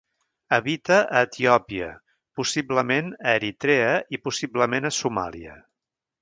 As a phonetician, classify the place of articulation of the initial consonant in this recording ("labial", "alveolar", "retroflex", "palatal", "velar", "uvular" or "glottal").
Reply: labial